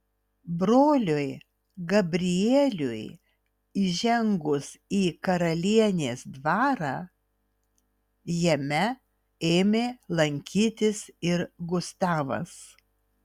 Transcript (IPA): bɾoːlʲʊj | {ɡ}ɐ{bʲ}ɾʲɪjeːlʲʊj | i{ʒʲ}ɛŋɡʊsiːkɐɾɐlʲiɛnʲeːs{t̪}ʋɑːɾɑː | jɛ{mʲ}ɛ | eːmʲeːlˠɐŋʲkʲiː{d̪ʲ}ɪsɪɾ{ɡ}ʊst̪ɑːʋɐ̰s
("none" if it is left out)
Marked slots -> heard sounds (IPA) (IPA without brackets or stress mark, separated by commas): ɡ, bʲ, ʒʲ, d̪, mʲ, t̪ʲ, ɡ